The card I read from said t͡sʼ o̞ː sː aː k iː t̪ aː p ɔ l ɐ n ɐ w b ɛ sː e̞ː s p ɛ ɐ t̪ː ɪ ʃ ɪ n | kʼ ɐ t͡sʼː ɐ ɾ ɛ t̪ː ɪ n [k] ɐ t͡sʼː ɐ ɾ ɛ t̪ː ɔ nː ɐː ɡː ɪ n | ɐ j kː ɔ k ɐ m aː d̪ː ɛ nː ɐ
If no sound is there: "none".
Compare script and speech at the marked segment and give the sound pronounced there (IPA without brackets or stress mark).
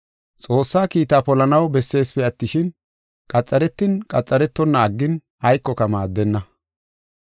kʼ